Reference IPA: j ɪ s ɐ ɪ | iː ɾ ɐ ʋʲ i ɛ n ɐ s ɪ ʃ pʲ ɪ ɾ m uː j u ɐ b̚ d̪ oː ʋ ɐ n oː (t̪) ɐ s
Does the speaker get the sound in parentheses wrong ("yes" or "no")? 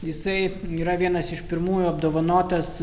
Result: no